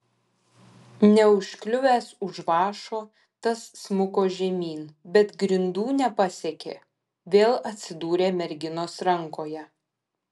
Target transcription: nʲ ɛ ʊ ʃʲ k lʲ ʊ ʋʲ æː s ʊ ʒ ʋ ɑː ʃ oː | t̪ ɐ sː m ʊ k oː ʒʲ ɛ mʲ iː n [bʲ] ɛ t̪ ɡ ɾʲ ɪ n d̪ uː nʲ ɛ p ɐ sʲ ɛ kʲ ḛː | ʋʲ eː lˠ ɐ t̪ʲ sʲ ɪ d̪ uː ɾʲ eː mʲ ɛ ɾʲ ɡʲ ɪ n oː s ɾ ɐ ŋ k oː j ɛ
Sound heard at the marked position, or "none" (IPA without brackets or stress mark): bʲ